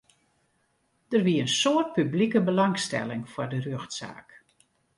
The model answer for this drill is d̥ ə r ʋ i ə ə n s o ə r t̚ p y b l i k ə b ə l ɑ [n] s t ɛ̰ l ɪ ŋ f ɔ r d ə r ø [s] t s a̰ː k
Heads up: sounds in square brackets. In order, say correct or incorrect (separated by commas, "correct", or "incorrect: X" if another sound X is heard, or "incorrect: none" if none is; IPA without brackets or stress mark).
incorrect: ŋ, incorrect: x